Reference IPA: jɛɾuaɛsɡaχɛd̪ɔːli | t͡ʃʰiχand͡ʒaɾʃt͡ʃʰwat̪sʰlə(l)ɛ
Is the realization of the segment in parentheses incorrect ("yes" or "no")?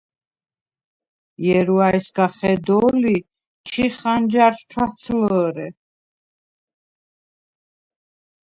yes